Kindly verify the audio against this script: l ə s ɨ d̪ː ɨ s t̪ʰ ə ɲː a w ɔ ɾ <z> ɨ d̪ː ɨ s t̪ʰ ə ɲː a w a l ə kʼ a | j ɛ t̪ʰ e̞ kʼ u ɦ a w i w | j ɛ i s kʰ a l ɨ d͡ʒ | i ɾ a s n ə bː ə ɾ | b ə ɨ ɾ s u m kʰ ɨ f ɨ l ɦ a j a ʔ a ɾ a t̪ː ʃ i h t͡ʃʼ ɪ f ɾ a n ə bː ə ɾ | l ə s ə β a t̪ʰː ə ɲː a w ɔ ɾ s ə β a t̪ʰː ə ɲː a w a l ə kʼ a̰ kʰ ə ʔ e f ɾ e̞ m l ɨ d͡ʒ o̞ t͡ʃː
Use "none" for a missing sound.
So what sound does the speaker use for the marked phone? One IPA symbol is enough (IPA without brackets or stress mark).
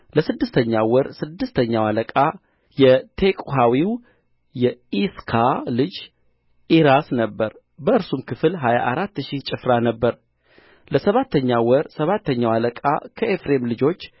s